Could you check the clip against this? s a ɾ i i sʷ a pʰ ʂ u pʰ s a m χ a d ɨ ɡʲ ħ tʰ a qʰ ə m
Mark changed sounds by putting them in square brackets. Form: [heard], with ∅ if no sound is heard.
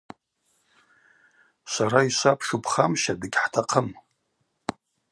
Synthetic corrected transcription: s a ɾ [a] i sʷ a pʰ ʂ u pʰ [χ] a m [ʃ] a d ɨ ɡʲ ħ tʰ a qʰ ə m

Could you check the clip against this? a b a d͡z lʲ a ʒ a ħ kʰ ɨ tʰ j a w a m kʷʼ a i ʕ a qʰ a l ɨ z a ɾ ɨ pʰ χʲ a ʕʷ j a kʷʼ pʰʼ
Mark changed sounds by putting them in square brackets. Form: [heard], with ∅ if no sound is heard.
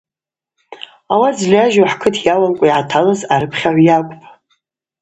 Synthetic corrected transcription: a [w] a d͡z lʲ a ʒ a ħ kʰ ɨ tʰ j a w a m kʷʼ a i ʕ a [tʰ] a l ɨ z a ɾ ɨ pʰ χʲ a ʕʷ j a kʷʼ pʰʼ

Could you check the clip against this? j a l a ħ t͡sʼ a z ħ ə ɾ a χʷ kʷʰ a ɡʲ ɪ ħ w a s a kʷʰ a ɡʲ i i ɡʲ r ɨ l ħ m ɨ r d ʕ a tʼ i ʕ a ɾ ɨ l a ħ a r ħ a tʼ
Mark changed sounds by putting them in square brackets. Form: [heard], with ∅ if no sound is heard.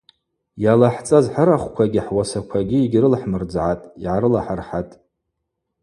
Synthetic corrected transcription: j a l a ħ t͡sʼ a z ħ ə ɾ a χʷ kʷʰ a ɡʲ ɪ ħ w a s a kʷʰ a ɡʲ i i ɡʲ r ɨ l ħ m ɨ r [d͡z] ʕ a tʼ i ʕ a ɾ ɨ l a ħ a r ħ a tʼ

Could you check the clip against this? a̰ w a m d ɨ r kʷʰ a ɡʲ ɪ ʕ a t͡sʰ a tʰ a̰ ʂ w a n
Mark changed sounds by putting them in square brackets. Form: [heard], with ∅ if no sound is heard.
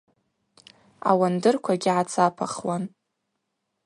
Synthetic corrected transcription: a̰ w a [n] d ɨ r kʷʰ a ɡʲ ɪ ʕ a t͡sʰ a [pʰ] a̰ [χ] w a n

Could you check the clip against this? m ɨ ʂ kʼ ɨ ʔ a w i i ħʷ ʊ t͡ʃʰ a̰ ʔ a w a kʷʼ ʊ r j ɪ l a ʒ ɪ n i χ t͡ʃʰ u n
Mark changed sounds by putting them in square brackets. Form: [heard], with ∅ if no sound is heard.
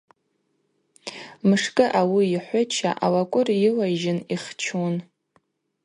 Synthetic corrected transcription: m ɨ ʂ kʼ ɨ ʔ a w i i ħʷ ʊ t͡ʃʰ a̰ ʔ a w a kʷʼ ʊ r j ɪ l a ʒ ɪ n i χ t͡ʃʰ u n

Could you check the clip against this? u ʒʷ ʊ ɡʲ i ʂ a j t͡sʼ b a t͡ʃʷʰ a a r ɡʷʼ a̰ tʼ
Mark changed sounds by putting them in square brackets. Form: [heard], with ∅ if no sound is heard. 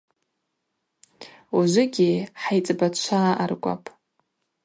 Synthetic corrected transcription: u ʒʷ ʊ ɡʲ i [ħ] a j t͡sʼ b a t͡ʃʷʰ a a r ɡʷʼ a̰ [pʼ]

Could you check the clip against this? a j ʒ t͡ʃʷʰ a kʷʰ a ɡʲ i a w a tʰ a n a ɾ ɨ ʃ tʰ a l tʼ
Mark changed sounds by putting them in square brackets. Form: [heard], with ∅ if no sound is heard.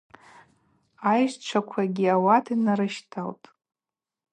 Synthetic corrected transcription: a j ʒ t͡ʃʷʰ a kʷʰ a ɡʲ i a w a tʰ [i] n a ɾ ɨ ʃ tʰ a l tʼ

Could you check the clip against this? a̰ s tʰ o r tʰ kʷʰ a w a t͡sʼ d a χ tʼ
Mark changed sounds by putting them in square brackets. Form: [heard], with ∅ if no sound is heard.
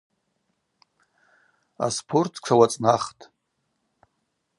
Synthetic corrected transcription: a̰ s [pʰ] o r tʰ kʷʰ a w a t͡sʼ [n] a χ tʼ

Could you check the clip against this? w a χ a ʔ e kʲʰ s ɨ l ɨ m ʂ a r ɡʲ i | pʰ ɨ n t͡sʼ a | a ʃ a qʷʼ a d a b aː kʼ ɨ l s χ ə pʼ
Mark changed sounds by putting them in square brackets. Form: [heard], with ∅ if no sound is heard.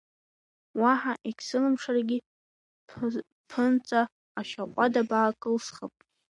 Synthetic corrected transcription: w a [ħ] a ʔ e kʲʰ s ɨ l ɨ m ʂ a r ɡʲ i | pʰ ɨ n t͡sʼ a | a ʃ a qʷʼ a d a b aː kʼ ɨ l s χ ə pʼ

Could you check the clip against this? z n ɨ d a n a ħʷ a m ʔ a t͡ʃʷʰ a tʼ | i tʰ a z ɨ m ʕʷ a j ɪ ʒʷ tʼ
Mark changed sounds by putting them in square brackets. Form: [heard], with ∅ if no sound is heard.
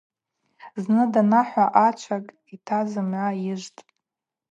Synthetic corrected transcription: z n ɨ d a n a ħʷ a [∅] ʔ a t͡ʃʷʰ a [kʼ] | i tʰ a z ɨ m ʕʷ a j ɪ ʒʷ tʼ

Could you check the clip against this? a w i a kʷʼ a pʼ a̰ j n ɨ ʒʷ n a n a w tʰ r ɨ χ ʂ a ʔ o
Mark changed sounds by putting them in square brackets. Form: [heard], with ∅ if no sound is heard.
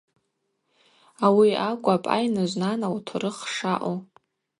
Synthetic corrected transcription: a w i a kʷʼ a pʼ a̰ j n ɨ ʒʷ n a n a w tʰ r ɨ χ ʂ a ʔ o

